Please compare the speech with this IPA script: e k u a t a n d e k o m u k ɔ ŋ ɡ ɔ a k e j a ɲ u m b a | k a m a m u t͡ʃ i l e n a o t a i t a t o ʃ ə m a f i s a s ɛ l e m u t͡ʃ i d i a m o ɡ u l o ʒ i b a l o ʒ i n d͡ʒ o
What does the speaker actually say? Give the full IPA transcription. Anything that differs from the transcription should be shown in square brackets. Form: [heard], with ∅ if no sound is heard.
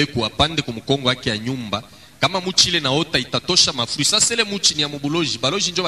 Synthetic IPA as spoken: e k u a [p] a n d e k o m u k ɔ ŋ ɡ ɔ a k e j a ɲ u m b a | k a m a m u t͡ʃ i l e n a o t a i t a t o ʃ [a] m a f i s a s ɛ l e m u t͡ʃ i [n] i a m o [b] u l o ʒ i b a l o ʒ i n d͡ʒ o

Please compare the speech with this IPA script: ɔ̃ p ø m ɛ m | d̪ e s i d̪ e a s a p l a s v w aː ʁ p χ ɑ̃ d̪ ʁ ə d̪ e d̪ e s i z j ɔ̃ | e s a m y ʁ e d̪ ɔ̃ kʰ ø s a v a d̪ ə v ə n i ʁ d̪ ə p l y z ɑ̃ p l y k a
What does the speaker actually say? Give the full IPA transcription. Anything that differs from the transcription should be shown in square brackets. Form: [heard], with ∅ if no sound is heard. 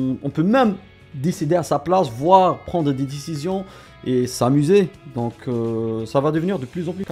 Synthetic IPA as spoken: ɔ̃ p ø m ɛ m | d̪ e s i d̪ e a s a p l a s v w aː ʁ p χ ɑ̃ d̪ ʁ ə d̪ e d̪ e s i z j ɔ̃ | e s a m y [z] e d̪ ɔ̃ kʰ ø s a v a d̪ ə v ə n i ʁ d̪ ə p l y z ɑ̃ p l y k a

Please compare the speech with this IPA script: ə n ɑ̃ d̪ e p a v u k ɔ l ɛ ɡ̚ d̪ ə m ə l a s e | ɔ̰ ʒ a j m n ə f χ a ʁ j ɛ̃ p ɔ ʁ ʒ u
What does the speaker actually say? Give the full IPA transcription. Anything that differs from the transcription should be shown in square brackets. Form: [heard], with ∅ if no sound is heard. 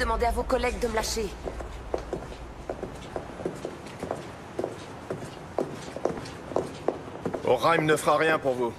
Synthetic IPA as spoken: ə [m] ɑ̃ d̪ e [∅] a v [o] k ɔ l ɛ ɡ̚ d̪ ə m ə l a [ʃ] e | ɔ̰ [ʁ] a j m n ə f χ a ʁ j ɛ̃ p [u] ʁ [v] u

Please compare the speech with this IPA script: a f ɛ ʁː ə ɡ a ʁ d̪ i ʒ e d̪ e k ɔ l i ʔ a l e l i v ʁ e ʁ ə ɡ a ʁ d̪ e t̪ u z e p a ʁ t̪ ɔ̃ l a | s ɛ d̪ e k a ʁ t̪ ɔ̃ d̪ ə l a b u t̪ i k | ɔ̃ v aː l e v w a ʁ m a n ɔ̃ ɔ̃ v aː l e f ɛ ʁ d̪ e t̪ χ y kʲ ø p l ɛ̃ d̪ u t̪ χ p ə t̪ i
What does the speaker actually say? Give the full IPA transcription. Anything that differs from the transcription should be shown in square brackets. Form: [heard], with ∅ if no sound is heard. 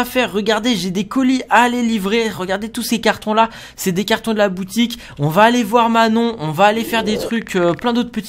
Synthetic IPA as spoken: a f ɛ ʁː ə ɡ a ʁ d̪ [e] ʒ e d̪ e k ɔ l i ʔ a l e l i v ʁ e ʁ ə ɡ a ʁ d̪ e t̪ u [s] e [k] a ʁ t̪ ɔ̃ l a | s ɛ d̪ e k a ʁ t̪ ɔ̃ d̪ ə l a b u t̪ i k | ɔ̃ v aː l e v w a ʁ m a n ɔ̃ ɔ̃ v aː l e f ɛ ʁ d̪ e t̪ χ y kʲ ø p l ɛ̃ d̪ [o] t̪ χ p ə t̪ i

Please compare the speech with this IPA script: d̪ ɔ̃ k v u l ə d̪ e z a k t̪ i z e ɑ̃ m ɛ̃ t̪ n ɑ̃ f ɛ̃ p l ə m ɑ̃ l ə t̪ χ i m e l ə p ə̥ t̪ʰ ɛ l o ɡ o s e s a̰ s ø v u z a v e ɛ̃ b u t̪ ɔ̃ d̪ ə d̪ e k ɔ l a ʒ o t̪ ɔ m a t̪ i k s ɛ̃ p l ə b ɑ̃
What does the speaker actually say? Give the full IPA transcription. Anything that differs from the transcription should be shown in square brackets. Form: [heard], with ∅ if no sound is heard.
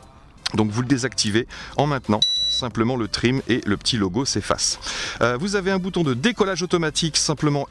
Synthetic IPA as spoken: d̪ ɔ̃ k v u l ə d̪ e z a k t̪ i [v] e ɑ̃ m ɛ̃ t̪ n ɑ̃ [s] ɛ̃ p l ə m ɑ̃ l ə t̪ χ i m e l ə p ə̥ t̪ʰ [i] l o ɡ o s e [f] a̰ s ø v u z a v e ɛ̃ b u t̪ ɔ̃ d̪ ə d̪ e k ɔ l a ʒ o t̪ ɔ m a t̪ i k s ɛ̃ p l ə [m] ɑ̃

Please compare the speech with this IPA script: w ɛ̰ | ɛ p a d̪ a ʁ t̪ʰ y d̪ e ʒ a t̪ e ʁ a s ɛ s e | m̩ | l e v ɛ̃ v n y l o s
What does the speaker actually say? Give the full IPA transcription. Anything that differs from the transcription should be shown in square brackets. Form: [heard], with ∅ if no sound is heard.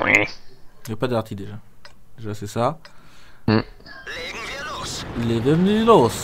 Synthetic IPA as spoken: w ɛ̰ | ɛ p a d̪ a ʁ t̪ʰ [i] d̪ e ʒ a [d̪] e [ʒ] a s ɛ s [a] | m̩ | l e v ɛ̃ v n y l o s

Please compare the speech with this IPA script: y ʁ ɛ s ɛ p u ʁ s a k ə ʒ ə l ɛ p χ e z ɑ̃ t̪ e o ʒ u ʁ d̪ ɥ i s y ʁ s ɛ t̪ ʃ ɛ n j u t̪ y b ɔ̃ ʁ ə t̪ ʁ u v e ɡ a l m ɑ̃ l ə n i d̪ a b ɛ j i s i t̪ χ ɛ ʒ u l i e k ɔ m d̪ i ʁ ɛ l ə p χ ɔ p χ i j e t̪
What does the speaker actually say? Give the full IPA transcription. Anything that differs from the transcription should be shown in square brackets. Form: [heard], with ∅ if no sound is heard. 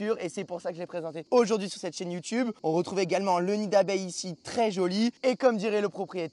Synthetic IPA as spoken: y ʁ [e] s ɛ p u ʁ s a k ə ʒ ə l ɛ p χ e z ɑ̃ t̪ e o ʒ u ʁ d̪ ɥ i s y ʁ s ɛ t̪ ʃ ɛ n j u t̪ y b ɔ̃ ʁ ə t̪ [χ] u v e ɡ a l m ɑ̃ l ə n i d̪ a b ɛ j i s i t̪ χ ɛ ʒ [ɔ] l i e k ɔ m d̪ i ʁ ɛ l ə p χ ɔ p χ i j e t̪

